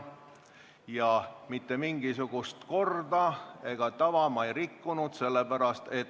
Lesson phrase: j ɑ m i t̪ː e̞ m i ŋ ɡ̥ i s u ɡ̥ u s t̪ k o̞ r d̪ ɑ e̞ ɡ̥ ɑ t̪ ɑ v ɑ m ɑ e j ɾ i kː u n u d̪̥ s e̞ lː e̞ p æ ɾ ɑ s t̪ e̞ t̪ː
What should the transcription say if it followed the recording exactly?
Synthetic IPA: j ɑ m i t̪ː e̞ m i ŋ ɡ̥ i s u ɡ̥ u s t̪ k o̞ r d̪ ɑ e̞ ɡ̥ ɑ t̪ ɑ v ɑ m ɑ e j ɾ i kː u n u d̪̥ s e̞ lː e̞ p æ ɾ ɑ s t̪ e̞ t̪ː